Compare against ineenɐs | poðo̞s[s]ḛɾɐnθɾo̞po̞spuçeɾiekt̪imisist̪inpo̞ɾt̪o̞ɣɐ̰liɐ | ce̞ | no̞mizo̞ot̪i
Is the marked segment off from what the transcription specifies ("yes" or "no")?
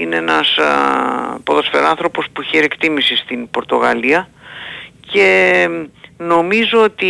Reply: yes